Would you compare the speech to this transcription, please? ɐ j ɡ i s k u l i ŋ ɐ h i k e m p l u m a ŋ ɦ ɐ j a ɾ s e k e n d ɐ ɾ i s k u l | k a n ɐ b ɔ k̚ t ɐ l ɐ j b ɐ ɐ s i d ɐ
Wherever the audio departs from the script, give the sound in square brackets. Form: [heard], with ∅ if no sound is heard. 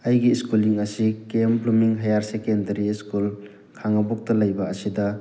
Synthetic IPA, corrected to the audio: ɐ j ɡ i s k u l i ŋ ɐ [s] i k e m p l u m [i] ŋ ɦ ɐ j a ɾ s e k e n d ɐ ɾ i s k u l | [kʰ] a [ŋ] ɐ b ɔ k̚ t ɐ l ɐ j b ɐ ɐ s i d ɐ